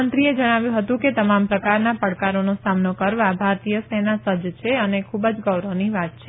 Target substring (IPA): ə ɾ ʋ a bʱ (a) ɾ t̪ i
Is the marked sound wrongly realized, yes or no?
no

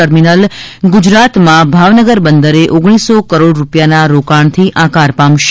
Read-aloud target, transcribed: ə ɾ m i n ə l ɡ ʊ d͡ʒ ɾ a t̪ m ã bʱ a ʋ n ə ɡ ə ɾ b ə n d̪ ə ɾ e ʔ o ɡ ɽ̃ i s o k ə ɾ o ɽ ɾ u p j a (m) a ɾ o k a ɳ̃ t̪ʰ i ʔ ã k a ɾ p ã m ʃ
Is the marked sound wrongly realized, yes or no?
yes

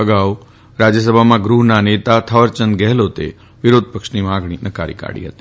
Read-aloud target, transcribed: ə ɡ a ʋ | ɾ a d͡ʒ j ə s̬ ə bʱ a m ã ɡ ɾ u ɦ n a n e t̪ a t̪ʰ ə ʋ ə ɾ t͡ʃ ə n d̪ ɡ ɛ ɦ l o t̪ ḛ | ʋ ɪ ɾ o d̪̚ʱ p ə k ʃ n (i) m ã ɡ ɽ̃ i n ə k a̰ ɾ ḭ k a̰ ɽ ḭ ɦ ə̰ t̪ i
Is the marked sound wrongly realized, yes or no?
no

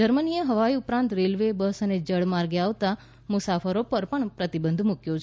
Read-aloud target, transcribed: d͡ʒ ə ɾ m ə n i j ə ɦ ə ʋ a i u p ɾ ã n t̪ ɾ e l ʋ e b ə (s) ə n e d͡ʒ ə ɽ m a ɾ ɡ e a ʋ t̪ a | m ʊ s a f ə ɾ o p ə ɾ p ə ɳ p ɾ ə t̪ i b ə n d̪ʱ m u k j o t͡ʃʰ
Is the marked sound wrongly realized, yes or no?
no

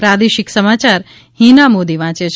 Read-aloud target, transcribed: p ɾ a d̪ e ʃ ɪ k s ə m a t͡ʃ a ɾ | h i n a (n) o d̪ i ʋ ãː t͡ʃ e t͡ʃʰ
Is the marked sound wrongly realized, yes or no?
yes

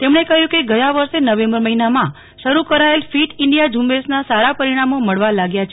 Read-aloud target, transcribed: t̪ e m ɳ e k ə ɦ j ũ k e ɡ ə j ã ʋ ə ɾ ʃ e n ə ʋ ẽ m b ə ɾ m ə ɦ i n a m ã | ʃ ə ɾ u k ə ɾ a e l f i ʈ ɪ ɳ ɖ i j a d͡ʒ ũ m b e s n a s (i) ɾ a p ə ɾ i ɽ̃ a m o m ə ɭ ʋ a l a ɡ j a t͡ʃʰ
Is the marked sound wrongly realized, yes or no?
yes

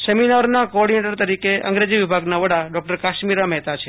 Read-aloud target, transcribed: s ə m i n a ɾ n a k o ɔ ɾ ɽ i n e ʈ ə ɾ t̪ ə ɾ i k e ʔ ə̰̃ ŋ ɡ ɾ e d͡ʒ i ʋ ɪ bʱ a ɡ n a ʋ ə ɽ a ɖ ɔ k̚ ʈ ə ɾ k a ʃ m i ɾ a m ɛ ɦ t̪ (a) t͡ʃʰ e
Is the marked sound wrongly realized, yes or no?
no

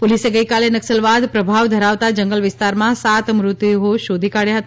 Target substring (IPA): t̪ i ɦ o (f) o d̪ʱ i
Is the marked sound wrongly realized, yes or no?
yes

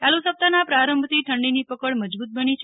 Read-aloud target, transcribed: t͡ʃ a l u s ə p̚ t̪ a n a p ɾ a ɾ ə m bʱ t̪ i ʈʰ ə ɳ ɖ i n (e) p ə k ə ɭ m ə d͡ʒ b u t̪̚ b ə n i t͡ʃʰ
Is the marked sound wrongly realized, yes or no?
yes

